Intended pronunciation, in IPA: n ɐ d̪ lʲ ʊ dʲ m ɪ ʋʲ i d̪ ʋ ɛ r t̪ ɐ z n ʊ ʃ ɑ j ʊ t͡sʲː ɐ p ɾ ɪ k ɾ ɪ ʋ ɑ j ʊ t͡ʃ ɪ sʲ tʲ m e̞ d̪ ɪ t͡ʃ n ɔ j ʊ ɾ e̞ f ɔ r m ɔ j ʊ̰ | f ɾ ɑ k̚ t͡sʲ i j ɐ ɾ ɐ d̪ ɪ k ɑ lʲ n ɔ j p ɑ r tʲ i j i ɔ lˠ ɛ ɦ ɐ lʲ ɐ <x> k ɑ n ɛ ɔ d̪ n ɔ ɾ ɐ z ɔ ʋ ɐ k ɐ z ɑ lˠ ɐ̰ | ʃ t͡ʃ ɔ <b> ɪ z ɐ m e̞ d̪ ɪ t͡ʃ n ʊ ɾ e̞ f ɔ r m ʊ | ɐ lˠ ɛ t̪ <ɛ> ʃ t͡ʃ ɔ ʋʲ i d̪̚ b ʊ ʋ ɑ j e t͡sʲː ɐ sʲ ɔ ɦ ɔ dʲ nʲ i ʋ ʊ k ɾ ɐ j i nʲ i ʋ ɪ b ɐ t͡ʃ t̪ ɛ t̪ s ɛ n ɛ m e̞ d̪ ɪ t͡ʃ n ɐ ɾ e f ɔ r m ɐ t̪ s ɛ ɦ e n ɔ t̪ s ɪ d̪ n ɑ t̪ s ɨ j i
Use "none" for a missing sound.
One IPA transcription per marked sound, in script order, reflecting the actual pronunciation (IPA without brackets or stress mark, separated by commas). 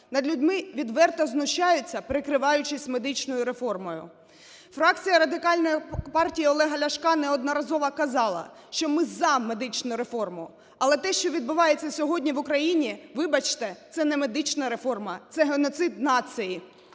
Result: ʃ, m, ɛ